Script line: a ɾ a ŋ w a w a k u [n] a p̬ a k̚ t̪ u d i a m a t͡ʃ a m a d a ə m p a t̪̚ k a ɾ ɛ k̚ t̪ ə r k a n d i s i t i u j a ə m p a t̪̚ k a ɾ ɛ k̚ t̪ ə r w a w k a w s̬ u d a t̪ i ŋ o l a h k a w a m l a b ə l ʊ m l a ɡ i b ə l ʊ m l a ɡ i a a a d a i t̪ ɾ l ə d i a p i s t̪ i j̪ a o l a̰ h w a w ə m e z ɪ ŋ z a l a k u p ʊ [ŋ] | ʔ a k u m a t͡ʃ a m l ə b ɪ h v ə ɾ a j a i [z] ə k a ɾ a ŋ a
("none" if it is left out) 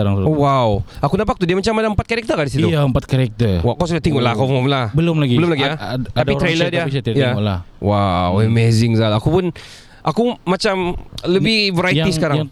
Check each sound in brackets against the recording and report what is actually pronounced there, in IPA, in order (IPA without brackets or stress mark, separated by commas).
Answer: n, n, s